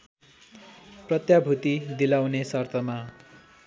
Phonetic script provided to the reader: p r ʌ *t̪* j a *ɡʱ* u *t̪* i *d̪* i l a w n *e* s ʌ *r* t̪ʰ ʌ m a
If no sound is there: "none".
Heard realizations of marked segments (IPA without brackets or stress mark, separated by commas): t̪, bʱ, t̪, d̪, e, r